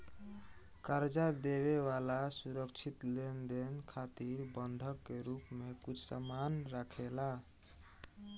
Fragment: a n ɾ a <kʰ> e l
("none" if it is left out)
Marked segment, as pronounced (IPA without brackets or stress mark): kʰ